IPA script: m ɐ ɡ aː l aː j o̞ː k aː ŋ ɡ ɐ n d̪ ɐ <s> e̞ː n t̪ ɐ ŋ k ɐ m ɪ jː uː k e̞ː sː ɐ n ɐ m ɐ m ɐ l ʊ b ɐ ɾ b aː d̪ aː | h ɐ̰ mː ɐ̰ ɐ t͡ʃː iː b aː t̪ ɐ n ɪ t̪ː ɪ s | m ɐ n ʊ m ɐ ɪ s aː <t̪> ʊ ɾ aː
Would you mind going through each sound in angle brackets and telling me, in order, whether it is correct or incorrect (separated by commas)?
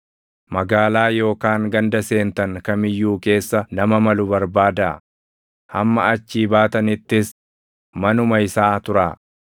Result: correct, correct